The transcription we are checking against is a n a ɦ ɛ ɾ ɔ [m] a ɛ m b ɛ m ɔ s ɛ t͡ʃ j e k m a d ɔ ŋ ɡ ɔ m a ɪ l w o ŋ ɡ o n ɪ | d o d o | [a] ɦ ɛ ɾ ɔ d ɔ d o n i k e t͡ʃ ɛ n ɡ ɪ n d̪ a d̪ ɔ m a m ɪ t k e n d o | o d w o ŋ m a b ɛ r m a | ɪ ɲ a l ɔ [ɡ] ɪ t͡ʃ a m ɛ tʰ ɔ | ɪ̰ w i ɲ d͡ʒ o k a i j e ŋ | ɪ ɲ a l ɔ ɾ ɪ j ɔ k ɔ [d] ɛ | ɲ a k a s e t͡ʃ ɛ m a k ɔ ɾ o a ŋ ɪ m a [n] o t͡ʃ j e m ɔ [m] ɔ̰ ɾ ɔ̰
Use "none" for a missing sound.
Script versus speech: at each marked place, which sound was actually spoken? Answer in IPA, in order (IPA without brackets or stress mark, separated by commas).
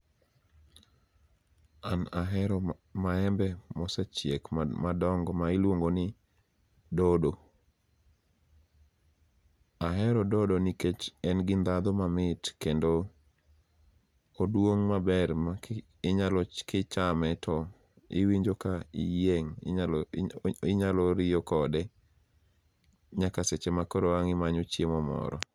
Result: m, a, k, d, ɲ, m